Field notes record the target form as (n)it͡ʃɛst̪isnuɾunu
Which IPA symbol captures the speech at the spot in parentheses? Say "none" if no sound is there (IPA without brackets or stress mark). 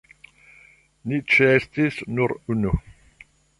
n